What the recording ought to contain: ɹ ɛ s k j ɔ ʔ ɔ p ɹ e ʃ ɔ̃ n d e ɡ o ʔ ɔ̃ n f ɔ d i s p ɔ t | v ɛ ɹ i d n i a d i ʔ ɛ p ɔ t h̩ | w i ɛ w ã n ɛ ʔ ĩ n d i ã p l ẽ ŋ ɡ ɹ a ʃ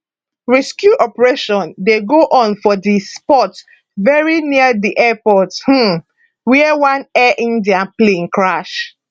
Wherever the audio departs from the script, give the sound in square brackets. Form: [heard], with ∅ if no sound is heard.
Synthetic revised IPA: ɹ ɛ s k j [u] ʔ ɔ p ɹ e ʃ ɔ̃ n d e ɡ o ʔ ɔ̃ n f ɔ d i s p ɔ t | v ɛ ɹ i [∅] n i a d i ʔ ɛ p ɔ t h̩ | w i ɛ w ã n ɛ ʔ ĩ n d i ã p l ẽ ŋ [k] ɹ a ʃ